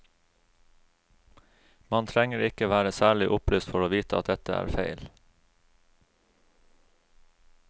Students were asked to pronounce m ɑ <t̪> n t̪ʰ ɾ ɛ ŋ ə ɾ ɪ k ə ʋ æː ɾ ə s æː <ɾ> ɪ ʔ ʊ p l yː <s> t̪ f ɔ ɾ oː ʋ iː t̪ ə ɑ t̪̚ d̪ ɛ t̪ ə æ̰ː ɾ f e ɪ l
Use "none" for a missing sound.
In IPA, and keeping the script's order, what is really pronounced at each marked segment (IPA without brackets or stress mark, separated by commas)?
none, ɭ, s